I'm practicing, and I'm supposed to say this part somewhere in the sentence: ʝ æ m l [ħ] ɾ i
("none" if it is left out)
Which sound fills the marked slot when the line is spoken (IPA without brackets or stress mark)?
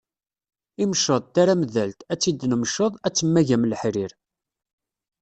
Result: ħ